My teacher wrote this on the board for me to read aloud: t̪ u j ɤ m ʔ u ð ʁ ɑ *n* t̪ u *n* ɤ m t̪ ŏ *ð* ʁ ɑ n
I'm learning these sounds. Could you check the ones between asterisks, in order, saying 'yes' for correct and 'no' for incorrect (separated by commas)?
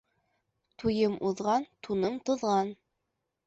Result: yes, yes, yes